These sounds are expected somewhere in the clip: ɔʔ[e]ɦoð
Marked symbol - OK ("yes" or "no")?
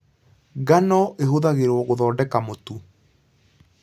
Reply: yes